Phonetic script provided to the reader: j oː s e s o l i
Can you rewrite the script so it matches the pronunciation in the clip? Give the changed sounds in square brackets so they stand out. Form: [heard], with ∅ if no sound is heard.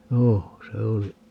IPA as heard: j oː s e [∅] o l i